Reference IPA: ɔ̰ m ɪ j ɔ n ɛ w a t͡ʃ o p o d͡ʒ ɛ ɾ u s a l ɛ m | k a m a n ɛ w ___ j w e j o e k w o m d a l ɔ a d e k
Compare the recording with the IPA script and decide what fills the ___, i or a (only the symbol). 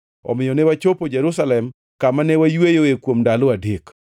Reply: a